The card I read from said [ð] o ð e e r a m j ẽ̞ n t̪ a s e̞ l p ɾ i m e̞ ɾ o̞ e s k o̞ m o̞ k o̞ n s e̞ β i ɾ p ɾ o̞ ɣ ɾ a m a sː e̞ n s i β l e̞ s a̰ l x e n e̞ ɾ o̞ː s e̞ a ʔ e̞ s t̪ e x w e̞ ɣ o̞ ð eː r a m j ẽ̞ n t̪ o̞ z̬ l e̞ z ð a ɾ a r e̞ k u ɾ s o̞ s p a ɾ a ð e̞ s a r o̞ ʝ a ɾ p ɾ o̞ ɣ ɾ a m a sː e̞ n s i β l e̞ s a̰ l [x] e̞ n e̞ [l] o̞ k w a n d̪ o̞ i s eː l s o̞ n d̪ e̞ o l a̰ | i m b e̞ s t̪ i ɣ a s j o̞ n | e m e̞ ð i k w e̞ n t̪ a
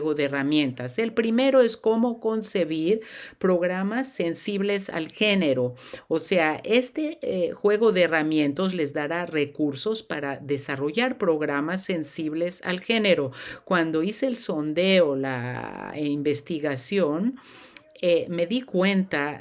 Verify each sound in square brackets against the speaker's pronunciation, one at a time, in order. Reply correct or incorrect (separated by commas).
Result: incorrect, correct, incorrect